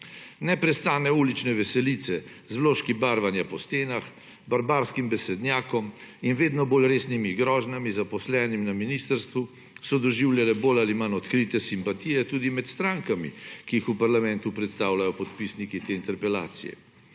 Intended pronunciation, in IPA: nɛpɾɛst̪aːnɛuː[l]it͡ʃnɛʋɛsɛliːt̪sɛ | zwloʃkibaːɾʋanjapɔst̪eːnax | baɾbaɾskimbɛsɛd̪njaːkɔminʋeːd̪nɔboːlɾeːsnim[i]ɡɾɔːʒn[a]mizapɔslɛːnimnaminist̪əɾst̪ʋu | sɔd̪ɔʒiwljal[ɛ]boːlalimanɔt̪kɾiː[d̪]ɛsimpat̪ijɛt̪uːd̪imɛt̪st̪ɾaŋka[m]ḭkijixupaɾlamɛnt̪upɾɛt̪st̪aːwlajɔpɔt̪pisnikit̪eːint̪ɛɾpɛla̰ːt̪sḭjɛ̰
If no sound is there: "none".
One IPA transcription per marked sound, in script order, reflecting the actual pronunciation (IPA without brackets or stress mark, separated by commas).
l, i, a, ɛ, t̪, m